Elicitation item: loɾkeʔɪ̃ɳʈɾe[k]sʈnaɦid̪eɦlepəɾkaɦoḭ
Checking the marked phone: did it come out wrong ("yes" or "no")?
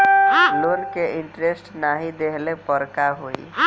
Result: yes